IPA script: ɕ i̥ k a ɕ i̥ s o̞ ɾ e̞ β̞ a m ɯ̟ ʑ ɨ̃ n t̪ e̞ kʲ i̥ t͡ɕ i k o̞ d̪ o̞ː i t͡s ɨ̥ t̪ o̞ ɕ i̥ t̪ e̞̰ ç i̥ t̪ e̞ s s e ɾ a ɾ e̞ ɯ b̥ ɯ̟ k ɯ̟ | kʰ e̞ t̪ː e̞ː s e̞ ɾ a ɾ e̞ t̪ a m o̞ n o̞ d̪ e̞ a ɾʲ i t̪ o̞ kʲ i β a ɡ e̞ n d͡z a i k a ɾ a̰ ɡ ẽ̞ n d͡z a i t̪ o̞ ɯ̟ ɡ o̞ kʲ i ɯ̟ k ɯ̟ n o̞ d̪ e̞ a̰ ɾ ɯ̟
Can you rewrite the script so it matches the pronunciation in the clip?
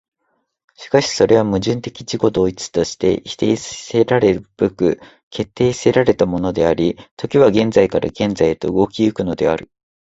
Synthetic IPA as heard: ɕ i̥ k a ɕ i̥ s o̞ ɾ e̞ β̞ a m ɯ̟ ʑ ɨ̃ n t̪ e̞ kʲ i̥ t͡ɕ i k o̞ d̪ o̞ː i t͡s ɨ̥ t̪ o̞ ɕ i̥ t̪ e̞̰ ç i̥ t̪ e̞ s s e ɾ a ɾ e̞ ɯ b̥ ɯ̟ k ɯ̟ | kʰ e̞ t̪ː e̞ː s e̞ ɾ a ɾ e̞ t̪ a m o̞ n o̞ d̪ e̞ a ɾʲ i t̪ o̞ kʲ i β a ɡ ẽ̞ n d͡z a i k a ɾ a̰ ɡ ẽ̞ n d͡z a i t̪ o̞ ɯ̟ ɡ o̞ kʲ i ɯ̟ k ɯ̟ n o̞ d̪ e̞ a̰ ɾ ɯ̟